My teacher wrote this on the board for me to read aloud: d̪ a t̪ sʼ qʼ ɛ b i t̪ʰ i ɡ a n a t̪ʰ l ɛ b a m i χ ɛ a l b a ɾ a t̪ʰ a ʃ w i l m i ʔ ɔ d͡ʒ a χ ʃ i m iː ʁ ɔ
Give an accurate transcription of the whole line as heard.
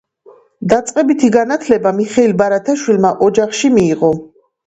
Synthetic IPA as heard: d̪ a t̪ sʼ qʼ ɛ b i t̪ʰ i ɡ a n a t̪ʰ l ɛ b a m i χ ɛ i l b a ɾ a t̪ʰ a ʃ w i l m a ʔ ɔ d͡ʒ a χ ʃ i m iː ʁ ɔ